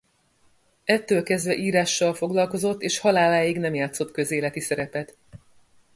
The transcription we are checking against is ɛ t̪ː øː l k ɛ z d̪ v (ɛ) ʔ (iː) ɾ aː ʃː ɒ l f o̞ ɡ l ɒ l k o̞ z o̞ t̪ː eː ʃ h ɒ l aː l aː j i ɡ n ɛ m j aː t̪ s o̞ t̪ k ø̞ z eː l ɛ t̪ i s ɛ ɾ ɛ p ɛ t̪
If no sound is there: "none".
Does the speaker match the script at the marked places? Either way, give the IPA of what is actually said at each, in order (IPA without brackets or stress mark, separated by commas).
ɛ, iː